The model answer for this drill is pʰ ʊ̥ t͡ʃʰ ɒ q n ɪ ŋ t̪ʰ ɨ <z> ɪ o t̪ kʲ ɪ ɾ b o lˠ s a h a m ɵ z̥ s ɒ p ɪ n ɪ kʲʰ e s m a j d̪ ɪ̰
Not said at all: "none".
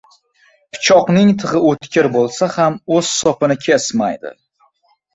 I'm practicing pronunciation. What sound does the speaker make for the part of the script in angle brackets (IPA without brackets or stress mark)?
ʁ